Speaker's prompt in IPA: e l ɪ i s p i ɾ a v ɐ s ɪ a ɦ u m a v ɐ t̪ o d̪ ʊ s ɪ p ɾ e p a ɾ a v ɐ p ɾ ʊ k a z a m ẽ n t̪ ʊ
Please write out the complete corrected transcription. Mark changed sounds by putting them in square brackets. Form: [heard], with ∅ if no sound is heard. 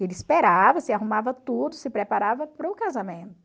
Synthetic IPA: e l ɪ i s p [e] ɾ a v ɐ s ɪ a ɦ u m a v ɐ t̪ [u] d̪ ʊ s ɪ p ɾ e p a ɾ a v ɐ p ɾ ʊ k a z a m ẽ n t̪ ʊ

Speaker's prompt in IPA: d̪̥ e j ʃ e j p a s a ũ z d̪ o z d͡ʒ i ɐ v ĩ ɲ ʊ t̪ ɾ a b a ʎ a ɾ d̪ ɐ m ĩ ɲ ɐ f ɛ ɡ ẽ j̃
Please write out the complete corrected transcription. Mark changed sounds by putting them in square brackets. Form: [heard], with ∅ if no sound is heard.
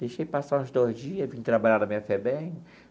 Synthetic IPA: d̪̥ e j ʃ e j p a s a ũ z d̪ o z d͡ʒ i ɐ v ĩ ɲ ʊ t̪ ɾ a b a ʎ a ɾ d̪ ɐ m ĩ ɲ ɐ f ɛ [b] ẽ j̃

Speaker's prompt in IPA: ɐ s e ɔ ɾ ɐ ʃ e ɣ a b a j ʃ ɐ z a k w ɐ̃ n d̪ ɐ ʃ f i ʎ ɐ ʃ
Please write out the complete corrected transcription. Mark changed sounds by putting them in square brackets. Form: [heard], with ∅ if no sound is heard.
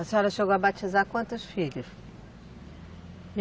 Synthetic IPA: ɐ s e ɔ ɾ ɐ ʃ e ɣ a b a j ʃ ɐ z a k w ɐ̃ n [t̪] ɐ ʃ f i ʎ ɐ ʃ

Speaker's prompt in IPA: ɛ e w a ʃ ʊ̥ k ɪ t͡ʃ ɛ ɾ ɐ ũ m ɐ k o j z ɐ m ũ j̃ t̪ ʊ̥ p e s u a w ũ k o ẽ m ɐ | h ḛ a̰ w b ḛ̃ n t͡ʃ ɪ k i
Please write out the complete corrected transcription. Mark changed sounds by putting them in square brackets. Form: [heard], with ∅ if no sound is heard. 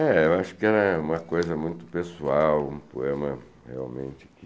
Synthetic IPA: ɛ e w a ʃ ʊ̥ k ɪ [∅] ɛ ɾ ɐ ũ m ɐ k o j z ɐ m ũ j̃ t̪ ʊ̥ p e s u a w ũ [p] o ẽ m ɐ | h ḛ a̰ w [m] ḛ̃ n t͡ʃ ɪ k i

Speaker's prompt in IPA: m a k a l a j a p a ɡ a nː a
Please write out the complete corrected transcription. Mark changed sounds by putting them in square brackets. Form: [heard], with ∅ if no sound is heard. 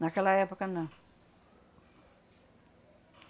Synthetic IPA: [n] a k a l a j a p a [k] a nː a

